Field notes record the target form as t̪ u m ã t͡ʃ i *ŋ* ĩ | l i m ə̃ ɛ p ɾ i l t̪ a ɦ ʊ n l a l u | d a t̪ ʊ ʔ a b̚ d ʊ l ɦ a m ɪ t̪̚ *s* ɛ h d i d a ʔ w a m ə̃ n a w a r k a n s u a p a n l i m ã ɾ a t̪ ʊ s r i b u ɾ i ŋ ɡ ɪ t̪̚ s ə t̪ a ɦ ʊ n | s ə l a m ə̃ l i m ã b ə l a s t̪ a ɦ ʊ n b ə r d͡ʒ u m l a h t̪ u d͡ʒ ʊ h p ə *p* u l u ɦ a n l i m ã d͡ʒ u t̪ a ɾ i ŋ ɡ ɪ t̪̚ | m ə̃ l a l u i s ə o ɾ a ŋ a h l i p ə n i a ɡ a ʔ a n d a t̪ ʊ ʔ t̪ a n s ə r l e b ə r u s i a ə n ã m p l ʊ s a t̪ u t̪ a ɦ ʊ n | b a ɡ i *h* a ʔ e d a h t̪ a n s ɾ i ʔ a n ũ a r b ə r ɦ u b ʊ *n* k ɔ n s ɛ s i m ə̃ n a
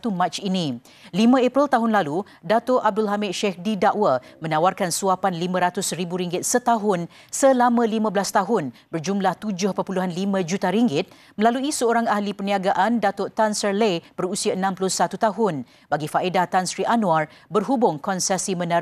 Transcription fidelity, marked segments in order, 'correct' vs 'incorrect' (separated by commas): incorrect, incorrect, correct, incorrect, incorrect